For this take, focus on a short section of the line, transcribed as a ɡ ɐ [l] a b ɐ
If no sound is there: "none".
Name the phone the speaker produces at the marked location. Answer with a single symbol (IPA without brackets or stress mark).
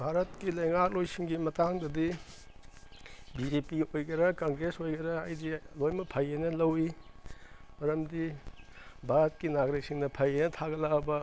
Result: l